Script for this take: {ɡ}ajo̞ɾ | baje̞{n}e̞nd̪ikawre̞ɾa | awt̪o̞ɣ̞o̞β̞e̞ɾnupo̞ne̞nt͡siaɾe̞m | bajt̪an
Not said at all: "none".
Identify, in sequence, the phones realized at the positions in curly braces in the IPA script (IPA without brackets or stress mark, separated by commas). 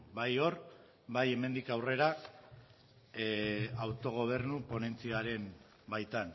b, m